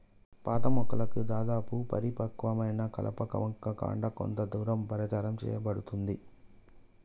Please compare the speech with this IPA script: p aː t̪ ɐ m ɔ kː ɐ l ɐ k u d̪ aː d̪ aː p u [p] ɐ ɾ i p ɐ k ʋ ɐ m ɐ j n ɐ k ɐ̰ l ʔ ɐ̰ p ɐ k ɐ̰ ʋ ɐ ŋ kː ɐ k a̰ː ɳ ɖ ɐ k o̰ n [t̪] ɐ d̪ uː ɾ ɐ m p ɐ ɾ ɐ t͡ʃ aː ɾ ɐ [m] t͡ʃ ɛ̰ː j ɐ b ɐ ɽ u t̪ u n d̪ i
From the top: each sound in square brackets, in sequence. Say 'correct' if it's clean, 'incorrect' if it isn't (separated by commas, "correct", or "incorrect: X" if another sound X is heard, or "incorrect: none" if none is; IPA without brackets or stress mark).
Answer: correct, correct, correct